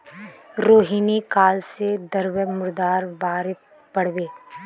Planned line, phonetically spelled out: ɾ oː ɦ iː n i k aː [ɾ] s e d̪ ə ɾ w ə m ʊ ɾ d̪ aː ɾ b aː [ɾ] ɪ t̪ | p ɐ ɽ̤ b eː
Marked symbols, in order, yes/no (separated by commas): no, yes